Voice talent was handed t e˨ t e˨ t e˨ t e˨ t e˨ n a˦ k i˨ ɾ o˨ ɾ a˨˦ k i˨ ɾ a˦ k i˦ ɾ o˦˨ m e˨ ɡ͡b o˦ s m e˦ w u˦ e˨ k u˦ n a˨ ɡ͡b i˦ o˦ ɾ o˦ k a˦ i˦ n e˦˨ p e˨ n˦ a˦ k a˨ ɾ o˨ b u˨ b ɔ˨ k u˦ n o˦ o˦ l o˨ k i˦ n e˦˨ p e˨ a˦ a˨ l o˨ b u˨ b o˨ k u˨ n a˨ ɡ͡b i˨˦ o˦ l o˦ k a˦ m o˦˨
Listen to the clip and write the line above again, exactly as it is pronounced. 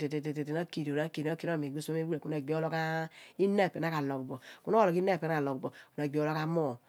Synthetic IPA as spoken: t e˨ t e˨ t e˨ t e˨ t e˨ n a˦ k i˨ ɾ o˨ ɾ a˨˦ k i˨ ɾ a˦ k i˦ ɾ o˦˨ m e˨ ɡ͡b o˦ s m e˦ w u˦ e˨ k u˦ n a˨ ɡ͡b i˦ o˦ l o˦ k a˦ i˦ n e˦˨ p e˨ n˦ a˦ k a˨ l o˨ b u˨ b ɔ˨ k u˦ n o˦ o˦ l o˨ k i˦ n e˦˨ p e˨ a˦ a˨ l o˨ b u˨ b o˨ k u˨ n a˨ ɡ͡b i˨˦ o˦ l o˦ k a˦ m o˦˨

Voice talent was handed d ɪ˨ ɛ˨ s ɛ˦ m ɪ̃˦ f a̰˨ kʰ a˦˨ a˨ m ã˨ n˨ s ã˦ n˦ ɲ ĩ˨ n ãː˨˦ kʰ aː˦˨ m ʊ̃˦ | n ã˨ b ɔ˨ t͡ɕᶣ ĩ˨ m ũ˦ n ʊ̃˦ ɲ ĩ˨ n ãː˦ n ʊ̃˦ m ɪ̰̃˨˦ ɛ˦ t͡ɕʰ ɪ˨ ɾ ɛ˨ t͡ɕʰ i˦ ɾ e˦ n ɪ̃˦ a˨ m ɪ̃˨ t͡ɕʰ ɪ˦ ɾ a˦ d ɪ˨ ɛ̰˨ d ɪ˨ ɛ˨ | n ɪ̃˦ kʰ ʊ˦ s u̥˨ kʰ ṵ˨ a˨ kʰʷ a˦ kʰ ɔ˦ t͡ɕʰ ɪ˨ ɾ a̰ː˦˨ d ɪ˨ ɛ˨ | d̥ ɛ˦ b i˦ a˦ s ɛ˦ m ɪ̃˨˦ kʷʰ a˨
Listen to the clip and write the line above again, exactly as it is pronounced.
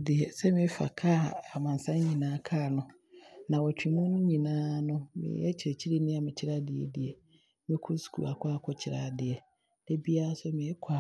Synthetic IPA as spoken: d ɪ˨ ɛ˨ s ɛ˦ m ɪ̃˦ f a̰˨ kʰ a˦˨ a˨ m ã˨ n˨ s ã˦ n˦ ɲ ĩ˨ n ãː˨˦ kʰ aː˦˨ n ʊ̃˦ | n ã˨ w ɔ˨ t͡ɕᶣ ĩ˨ m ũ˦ n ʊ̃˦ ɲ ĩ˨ n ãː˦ n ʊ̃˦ m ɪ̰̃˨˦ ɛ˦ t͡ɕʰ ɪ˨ ɾ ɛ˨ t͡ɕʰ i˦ ɾ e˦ n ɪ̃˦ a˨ m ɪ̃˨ t͡ɕʰ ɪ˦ ɾ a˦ d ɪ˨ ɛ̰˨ d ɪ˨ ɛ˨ | m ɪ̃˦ kʰ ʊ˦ s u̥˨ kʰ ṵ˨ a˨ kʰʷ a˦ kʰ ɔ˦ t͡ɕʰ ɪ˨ ɾ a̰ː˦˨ d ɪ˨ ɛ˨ | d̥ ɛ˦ b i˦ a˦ s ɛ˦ m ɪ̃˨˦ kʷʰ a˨

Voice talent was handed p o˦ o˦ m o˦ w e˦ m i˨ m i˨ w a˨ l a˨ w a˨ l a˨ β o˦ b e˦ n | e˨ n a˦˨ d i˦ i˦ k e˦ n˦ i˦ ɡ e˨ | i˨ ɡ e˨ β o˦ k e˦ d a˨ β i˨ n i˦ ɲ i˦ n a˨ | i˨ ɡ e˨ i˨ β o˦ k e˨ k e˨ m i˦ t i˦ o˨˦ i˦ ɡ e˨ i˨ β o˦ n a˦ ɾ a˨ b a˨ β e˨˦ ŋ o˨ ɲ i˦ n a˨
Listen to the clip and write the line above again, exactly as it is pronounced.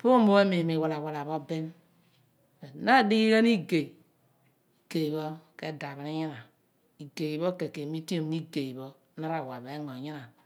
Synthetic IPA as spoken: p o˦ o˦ m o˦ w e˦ m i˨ m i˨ w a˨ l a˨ w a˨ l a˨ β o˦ b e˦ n | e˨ n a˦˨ d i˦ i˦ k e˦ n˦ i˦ ɡ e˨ | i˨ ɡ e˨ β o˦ k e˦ d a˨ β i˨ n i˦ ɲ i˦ n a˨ | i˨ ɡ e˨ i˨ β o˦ k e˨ k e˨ m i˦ t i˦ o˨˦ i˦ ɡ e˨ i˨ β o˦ n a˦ ɾ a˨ w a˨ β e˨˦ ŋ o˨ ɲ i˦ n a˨

